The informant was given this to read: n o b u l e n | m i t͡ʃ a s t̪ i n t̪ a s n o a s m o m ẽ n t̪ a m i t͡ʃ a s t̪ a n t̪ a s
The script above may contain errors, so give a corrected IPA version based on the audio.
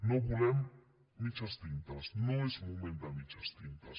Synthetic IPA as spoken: n o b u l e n | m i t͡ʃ a s t̪ i n t̪ a s n o e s m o m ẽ n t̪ a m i t͡ʃ a s t̪ i n t̪ a s